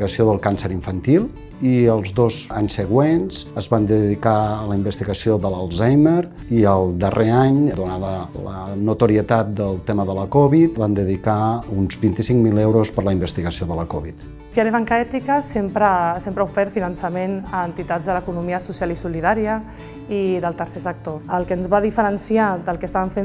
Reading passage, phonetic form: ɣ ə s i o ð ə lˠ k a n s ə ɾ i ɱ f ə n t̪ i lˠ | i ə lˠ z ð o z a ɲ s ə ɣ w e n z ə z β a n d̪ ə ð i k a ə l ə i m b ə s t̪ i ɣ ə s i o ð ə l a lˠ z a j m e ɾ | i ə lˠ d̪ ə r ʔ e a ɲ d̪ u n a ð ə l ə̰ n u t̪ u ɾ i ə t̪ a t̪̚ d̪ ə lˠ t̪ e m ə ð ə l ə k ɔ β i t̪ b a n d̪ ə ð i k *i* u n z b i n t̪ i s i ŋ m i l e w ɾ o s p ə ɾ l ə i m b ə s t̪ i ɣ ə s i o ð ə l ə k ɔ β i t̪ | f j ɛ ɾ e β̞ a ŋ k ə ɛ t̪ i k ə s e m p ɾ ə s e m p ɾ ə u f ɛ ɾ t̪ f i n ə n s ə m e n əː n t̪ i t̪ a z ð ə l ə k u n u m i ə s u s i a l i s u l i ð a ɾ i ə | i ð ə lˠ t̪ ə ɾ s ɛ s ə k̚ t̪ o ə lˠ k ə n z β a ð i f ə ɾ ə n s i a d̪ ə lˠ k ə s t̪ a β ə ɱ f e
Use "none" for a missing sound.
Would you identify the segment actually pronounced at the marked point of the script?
a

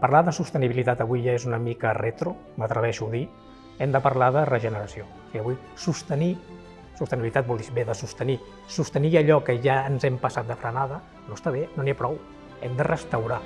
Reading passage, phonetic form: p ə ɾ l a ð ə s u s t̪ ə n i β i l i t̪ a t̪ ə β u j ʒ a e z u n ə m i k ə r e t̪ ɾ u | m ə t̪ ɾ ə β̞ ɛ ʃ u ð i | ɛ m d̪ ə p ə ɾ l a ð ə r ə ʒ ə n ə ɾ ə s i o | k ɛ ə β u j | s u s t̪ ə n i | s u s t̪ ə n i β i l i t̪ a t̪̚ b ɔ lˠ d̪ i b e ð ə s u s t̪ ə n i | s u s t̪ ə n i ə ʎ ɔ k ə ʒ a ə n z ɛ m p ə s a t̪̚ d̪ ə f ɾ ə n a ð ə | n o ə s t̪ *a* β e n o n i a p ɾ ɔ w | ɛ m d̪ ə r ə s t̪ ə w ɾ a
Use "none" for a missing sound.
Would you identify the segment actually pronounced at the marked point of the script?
a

